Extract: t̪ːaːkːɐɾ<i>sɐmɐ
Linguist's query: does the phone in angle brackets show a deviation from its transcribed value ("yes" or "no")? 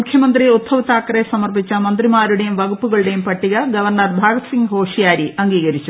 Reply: yes